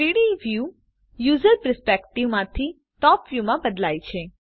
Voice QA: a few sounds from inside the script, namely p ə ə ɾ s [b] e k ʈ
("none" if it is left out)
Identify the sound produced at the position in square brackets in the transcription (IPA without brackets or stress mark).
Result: p